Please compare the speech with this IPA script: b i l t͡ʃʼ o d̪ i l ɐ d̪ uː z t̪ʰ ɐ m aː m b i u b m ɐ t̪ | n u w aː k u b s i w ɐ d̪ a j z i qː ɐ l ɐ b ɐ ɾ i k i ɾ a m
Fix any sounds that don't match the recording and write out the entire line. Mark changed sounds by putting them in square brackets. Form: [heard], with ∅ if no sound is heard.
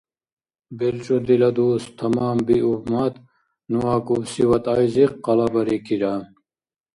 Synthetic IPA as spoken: b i l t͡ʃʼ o d̪ i l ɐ d̪ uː [s] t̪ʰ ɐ m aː m b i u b m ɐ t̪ | n u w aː k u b s i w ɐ [t̪] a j z i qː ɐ l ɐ b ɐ ɾ i k i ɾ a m